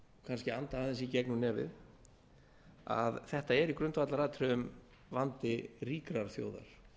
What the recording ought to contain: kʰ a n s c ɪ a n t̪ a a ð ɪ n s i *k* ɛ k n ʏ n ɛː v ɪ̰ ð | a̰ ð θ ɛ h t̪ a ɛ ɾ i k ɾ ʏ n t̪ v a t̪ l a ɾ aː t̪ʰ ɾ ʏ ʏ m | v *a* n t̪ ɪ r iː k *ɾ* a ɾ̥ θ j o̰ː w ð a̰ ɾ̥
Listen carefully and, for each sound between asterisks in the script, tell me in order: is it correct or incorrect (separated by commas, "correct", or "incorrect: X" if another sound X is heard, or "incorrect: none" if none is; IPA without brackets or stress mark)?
incorrect: c, correct, correct